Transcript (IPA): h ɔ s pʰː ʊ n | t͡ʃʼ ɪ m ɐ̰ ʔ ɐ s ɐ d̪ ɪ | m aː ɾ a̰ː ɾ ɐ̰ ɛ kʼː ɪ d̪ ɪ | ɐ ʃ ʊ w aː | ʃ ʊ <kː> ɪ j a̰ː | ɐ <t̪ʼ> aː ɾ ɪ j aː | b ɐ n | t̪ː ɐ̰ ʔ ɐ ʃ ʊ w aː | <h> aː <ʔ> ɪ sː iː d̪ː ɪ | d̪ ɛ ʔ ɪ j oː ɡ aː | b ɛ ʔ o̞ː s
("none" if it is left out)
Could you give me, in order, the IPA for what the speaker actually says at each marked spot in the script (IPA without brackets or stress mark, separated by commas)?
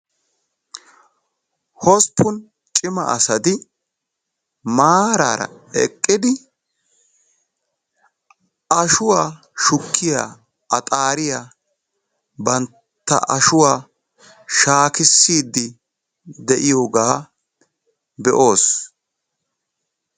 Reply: kː, t̪ʼ, ʃ, k